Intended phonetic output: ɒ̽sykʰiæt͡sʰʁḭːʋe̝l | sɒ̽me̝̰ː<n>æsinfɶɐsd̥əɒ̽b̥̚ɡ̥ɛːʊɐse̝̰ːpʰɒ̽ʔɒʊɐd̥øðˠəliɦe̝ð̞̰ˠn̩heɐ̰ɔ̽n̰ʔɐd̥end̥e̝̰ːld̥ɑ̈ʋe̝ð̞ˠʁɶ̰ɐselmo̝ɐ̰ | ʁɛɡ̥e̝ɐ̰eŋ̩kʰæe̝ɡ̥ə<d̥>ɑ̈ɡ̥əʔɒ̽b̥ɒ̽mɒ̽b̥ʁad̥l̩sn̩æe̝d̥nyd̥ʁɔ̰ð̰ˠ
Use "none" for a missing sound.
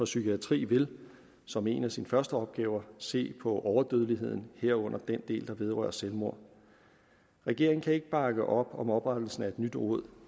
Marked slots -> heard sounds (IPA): n, b̥

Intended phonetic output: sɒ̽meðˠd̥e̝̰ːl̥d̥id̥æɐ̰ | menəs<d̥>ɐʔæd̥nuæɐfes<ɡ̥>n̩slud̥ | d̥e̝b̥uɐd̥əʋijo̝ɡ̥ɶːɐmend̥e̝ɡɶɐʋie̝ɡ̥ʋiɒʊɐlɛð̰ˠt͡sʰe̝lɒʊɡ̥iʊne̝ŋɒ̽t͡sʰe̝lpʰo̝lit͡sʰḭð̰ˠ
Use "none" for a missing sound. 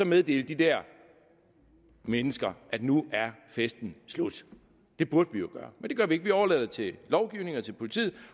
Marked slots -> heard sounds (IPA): ɡ̥, d̥

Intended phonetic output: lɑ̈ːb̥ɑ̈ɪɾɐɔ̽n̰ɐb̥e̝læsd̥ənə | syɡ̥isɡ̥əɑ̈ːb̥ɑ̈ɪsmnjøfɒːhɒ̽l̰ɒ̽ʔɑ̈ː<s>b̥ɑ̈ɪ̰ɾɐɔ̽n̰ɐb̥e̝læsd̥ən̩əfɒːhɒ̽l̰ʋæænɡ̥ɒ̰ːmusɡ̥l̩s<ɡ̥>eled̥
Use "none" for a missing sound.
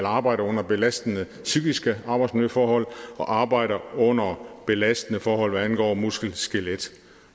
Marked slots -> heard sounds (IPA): none, ɡ̥

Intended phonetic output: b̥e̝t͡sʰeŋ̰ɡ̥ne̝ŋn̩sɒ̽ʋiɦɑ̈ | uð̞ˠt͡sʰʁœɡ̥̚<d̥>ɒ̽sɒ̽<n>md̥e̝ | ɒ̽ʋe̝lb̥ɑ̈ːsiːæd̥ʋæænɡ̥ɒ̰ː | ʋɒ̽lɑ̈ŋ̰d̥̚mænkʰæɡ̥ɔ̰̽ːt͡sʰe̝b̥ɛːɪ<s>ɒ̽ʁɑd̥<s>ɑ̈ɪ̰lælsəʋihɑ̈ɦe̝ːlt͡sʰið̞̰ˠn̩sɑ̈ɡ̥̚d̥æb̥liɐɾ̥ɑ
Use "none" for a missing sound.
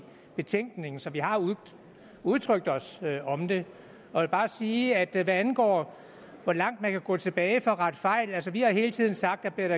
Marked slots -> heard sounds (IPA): d̥, none, f, f

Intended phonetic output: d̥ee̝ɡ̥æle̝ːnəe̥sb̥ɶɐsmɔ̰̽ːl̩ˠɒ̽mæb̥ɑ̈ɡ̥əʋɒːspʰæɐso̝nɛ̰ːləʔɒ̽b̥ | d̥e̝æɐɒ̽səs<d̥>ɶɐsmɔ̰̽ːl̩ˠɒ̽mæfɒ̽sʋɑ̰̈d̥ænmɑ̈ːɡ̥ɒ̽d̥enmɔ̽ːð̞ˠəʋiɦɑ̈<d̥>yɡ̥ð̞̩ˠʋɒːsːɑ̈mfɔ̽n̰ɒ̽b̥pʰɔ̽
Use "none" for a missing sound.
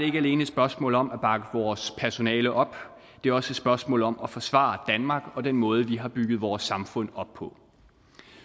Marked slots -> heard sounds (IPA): b̥, b̥

